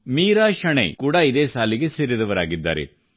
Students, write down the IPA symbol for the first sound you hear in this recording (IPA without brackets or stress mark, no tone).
m